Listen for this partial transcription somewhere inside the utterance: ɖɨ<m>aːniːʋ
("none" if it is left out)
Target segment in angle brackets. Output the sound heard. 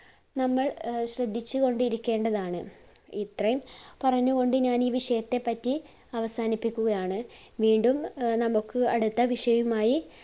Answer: ɲ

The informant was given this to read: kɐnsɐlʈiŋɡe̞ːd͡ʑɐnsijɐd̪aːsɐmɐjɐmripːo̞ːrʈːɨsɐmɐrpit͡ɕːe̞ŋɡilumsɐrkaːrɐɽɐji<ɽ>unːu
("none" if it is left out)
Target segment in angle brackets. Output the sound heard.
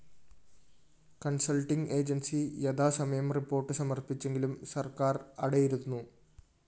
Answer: ɾ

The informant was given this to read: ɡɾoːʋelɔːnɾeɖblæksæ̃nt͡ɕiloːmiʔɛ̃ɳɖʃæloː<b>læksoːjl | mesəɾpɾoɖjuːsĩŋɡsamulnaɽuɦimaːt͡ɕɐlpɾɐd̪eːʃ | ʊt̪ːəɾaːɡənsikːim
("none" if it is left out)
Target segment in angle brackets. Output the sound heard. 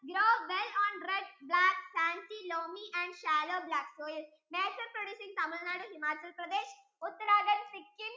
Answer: b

